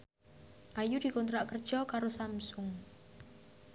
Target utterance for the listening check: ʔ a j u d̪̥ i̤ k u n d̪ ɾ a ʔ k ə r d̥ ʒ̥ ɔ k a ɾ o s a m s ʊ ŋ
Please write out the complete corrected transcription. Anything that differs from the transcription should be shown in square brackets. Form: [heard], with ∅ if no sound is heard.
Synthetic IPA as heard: ʔ a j u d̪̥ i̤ k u n [t̪] ɾ a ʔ k ə r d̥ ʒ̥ ɔ k a ɾ o s a m s ʊ ŋ

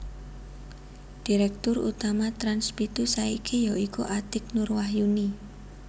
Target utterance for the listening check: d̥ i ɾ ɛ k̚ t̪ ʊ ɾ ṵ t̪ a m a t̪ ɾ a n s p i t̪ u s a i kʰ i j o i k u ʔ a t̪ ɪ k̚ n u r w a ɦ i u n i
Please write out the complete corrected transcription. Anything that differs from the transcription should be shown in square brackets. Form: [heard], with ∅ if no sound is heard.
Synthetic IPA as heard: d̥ i ɾ ɛ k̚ t̪ ʊ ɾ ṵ t̪ a m a t̪ ɾ a n s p i t̪ u s a i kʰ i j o i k u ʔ a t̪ ɪ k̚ n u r w a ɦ [j] u n i

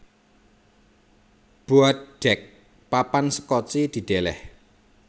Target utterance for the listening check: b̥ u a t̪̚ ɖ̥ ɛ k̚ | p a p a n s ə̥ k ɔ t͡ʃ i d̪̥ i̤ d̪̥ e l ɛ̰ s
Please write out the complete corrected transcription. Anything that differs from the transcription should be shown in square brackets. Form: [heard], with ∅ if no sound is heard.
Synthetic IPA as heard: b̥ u a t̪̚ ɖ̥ ɛ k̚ | p a p a n s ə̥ k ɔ t͡ʃ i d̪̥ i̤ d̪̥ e l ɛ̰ [h]

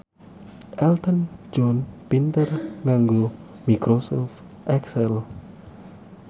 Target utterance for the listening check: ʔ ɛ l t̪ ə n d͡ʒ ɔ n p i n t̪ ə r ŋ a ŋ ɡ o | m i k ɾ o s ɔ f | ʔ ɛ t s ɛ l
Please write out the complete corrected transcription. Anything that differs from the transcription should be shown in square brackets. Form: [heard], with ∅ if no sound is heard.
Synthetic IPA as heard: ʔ ɛ l t̪ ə n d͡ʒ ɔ n p i n t̪ ə r ŋ a ŋ ɡ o | m i k ɾ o s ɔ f | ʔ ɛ [k] s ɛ l

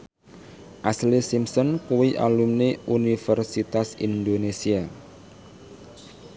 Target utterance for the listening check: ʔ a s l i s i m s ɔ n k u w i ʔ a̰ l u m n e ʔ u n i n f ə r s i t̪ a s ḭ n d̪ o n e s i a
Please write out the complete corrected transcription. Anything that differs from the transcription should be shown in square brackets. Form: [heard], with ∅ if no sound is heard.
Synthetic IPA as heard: ʔ a s l i s i m s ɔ n k u w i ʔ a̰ l u m n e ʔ u n i [∅] f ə r s i t̪ a s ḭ n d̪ o n e s i a

